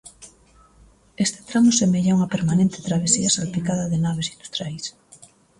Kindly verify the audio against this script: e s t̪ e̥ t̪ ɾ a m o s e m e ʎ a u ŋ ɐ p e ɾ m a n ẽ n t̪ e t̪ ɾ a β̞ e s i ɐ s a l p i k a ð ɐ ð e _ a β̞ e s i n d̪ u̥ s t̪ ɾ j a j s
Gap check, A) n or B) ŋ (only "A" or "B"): A